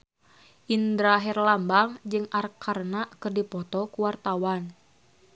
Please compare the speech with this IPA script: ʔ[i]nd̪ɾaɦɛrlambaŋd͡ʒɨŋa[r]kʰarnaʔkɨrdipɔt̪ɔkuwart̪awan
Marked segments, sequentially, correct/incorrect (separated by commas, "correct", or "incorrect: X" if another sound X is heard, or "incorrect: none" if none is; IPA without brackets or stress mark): correct, correct